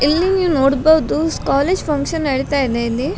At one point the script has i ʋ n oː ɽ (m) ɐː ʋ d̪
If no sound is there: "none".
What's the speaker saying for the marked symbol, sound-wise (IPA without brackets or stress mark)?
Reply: b